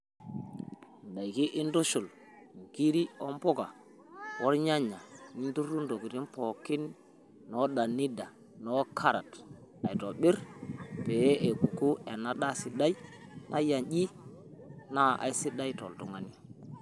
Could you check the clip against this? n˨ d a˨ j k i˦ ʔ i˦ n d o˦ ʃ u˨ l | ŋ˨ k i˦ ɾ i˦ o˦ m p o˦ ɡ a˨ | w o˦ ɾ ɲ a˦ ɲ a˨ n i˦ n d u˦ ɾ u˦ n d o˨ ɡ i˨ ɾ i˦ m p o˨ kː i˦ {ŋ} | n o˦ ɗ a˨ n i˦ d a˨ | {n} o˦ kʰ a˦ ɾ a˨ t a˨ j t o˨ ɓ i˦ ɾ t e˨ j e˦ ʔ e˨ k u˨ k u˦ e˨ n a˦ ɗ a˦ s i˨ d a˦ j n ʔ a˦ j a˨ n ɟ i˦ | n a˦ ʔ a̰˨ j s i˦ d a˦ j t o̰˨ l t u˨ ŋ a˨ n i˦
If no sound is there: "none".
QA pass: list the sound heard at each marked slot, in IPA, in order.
n, n

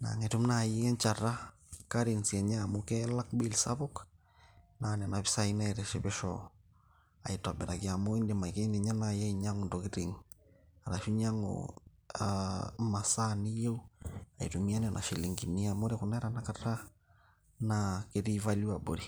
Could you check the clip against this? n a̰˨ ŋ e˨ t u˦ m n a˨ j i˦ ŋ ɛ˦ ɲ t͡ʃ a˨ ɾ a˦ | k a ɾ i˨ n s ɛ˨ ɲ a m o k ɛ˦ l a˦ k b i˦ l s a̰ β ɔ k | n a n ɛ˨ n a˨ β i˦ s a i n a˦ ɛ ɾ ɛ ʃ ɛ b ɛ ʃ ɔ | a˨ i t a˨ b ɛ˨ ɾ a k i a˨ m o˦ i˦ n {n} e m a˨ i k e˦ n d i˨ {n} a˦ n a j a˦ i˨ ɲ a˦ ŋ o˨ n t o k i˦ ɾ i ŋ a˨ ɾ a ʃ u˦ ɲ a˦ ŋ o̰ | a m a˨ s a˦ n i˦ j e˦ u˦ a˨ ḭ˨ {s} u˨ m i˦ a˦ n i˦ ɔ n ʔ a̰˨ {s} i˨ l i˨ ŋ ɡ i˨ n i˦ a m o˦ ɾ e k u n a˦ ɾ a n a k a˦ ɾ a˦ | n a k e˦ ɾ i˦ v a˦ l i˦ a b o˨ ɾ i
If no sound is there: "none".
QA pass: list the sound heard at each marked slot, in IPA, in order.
d, ɲ, t, ʃ

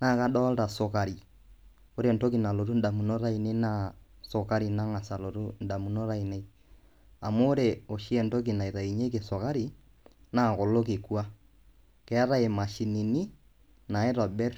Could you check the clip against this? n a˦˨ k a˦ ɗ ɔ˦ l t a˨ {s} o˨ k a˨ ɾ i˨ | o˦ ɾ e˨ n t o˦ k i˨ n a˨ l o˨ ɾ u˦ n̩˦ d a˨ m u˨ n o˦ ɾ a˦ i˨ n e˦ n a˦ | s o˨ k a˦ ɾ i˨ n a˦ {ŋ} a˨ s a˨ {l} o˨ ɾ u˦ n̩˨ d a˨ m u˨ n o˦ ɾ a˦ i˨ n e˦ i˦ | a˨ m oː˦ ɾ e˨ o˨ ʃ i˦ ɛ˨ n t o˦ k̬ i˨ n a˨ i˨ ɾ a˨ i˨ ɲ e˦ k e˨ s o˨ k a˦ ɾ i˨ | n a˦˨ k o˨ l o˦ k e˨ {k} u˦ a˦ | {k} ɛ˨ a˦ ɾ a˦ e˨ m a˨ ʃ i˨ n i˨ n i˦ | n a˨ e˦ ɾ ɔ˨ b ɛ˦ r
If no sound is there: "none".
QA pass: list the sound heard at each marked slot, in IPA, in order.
s, ŋ, l, k, k

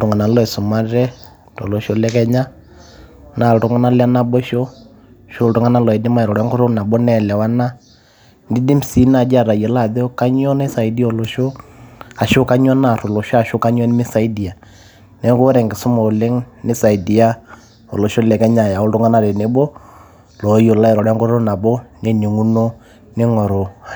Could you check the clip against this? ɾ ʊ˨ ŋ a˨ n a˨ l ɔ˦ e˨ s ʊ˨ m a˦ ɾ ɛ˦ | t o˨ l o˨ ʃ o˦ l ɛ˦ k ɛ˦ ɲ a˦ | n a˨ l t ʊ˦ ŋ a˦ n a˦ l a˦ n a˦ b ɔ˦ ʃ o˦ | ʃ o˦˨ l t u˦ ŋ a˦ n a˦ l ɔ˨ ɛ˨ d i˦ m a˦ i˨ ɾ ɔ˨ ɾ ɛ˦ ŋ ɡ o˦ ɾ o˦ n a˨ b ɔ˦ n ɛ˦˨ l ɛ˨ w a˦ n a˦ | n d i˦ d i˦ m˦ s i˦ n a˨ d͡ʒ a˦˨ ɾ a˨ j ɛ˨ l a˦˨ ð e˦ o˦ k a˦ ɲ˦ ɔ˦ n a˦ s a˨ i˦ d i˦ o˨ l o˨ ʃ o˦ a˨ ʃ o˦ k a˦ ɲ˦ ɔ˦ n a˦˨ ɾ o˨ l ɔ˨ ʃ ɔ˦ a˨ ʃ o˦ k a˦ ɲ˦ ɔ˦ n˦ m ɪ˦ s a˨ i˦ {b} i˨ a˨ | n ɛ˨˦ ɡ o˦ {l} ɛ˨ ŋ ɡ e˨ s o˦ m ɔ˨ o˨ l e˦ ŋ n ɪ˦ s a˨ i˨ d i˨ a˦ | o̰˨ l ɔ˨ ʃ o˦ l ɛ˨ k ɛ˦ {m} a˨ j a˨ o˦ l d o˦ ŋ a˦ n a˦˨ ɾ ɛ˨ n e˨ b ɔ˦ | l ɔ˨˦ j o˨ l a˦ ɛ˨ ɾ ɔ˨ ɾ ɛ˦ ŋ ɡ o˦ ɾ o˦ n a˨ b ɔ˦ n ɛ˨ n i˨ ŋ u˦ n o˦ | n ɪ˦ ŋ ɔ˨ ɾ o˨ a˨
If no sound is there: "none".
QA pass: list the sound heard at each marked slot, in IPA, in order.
d, ɾ, ɲ

